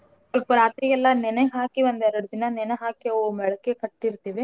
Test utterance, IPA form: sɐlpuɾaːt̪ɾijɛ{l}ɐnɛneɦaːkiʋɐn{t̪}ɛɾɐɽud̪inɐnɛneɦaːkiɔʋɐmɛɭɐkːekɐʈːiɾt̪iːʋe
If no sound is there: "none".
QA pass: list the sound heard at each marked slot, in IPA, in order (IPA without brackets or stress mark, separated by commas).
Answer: lː, d̪